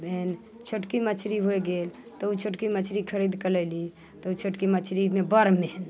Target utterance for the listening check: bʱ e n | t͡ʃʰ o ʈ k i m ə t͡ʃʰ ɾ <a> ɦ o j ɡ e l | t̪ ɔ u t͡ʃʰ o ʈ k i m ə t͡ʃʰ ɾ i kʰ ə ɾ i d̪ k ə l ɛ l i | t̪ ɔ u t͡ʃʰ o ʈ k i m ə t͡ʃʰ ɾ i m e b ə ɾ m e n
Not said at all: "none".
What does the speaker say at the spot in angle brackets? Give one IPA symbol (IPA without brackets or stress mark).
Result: i